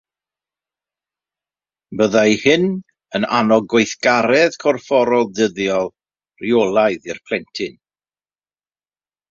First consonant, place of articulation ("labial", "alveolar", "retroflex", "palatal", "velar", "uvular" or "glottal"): labial